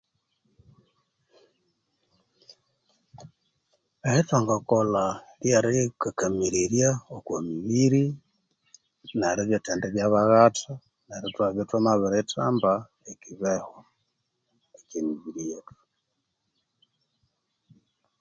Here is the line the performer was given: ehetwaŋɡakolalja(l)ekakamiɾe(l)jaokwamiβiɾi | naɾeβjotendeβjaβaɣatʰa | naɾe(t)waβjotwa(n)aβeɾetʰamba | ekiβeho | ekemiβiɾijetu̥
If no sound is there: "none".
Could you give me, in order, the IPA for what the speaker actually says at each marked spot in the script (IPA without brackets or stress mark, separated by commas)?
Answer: ɾ, ɾ, t, m